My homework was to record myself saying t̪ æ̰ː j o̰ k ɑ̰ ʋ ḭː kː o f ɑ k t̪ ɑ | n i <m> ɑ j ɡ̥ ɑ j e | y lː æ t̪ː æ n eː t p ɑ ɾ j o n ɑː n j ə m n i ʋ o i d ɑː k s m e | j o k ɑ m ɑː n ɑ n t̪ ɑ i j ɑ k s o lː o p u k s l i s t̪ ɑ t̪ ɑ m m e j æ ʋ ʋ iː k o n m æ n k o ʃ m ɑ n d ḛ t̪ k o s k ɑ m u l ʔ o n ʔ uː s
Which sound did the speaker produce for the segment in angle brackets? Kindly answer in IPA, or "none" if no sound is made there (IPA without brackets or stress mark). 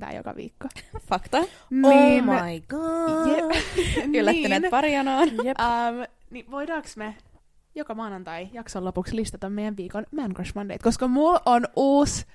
n